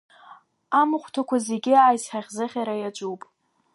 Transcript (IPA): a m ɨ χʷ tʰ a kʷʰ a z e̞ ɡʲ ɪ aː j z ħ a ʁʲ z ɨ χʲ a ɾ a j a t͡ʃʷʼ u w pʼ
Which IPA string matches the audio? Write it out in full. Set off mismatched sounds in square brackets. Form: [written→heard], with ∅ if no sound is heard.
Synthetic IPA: a m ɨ χʷ tʰ a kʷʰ a z e̞ ɡʲ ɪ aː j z ħ a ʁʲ z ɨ χʲ a ɾ a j a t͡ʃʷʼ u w pʼ